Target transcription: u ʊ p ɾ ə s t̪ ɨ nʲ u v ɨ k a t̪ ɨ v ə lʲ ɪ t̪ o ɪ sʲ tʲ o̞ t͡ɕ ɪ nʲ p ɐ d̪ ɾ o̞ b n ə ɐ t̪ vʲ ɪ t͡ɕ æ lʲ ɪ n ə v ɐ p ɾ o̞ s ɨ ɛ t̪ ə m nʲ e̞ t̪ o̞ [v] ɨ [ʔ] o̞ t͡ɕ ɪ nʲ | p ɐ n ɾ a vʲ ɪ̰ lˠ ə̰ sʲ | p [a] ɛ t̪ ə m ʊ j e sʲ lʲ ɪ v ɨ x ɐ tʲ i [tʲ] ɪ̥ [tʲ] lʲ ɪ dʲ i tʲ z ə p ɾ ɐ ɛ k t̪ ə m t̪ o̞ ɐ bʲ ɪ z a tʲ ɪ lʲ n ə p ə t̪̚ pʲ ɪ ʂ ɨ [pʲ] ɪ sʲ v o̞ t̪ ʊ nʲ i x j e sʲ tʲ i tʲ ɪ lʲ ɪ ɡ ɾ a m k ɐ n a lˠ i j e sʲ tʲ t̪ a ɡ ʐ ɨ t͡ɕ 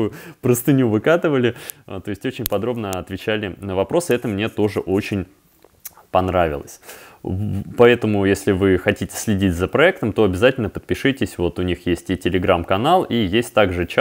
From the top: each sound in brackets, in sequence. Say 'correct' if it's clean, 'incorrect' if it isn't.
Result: incorrect: ʐ, correct, incorrect: ɐ, correct, incorrect: sʲ, incorrect: tʲ

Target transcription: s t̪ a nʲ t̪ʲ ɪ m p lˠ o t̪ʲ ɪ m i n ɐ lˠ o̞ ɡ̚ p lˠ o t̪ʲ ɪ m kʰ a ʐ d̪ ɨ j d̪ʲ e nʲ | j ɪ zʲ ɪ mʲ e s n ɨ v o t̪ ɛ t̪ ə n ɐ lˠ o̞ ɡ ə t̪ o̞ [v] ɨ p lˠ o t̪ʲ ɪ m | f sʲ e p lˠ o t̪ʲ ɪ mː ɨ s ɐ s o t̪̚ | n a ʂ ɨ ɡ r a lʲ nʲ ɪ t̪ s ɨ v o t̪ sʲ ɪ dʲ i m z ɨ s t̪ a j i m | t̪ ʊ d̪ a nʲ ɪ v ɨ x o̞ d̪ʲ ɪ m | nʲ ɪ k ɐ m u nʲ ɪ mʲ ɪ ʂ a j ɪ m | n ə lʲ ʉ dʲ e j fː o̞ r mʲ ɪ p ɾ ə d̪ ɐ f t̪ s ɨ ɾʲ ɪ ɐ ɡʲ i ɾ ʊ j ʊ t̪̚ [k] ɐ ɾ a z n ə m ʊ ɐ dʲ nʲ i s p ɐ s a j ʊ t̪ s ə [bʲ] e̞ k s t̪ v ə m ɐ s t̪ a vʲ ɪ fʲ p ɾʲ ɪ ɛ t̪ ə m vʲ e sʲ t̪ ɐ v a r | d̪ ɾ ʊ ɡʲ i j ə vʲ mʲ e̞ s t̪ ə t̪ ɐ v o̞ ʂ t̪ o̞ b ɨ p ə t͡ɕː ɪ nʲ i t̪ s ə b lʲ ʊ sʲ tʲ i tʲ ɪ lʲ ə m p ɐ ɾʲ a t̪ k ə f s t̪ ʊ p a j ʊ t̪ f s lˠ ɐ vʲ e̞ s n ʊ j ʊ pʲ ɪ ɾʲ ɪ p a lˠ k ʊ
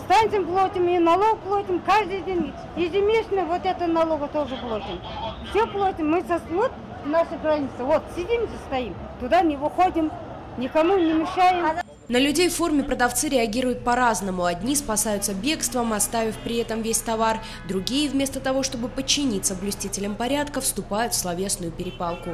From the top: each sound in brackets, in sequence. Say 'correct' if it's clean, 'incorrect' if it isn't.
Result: incorrect: ʐ, incorrect: p, correct

